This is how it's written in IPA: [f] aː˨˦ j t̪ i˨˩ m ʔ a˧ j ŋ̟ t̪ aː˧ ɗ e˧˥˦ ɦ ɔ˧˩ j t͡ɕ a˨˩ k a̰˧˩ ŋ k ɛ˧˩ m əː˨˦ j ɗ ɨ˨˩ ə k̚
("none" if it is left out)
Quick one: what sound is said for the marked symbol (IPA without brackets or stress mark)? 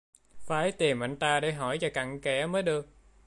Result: f